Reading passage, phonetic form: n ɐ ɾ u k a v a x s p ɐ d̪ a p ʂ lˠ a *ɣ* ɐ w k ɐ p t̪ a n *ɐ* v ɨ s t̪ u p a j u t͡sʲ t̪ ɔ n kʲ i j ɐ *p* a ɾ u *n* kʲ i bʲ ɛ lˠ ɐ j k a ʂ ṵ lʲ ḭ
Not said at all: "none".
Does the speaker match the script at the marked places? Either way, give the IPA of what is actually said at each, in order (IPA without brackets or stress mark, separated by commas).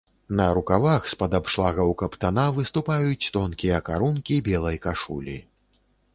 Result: ɣ, a, k, n